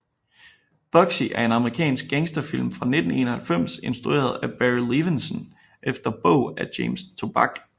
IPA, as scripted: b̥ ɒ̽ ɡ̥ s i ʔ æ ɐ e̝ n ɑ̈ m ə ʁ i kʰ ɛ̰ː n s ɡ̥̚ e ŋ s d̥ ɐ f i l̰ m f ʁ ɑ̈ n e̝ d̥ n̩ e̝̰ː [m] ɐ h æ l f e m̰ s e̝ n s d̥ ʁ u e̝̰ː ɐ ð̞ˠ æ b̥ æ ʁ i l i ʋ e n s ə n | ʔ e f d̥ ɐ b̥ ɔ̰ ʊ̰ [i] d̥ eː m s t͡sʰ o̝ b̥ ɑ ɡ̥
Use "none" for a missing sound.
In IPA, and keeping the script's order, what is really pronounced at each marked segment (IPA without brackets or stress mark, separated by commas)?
n, æ